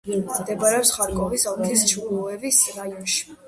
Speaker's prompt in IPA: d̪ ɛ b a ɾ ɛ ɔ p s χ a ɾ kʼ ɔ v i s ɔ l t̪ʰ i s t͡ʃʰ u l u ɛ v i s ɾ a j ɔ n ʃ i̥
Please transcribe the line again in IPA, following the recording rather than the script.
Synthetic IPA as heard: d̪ ɛ b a ɾ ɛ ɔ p s χ a ɾ kʼ ɔ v i s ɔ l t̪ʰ i s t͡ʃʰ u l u ɛ v i s ɾ a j ɔ n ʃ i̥